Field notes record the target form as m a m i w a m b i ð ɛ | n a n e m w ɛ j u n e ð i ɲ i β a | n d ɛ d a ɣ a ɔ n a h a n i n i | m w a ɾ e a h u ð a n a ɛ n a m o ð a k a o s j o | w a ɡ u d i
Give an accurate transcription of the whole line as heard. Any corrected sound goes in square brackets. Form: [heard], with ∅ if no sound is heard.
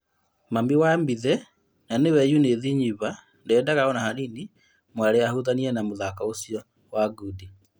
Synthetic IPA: m a m i w a m b i ð ɛ | n a n e [∅] w ɛ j u n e ð i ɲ i β a | n d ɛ d a ɣ a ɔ n a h a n i n i | m w a ɾ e a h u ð a n [i] ɛ n a m o ð a k a o s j [ɔ] | w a ɡ u d i